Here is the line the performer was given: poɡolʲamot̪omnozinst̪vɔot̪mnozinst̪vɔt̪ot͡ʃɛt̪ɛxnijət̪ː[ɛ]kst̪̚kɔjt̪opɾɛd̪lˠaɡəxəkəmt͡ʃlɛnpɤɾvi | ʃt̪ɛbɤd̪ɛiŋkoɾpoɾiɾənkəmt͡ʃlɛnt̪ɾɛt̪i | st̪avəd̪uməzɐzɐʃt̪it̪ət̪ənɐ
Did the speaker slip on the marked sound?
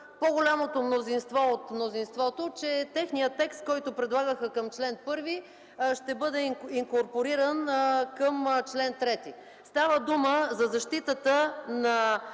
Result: no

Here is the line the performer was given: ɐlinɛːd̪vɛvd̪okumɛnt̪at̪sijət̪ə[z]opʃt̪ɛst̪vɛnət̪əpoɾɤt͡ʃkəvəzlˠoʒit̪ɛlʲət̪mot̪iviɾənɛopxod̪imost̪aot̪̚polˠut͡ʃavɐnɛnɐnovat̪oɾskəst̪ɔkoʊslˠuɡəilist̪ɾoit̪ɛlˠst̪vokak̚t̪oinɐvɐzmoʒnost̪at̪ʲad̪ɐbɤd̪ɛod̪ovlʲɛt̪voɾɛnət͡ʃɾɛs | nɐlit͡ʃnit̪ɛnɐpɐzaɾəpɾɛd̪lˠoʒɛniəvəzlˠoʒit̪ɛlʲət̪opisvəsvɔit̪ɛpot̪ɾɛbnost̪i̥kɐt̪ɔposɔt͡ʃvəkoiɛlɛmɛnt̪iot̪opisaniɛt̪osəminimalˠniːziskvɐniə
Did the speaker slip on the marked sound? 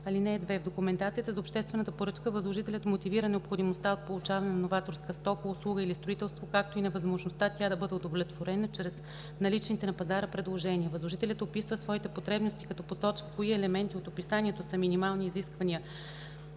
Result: no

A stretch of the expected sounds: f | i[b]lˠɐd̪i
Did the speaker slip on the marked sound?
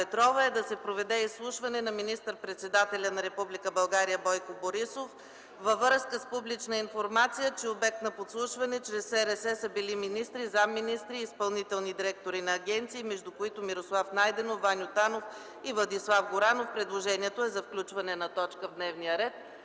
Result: yes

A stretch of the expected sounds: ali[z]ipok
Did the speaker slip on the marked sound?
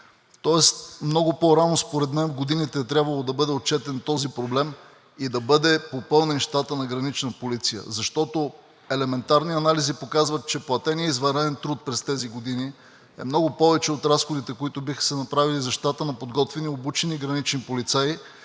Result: no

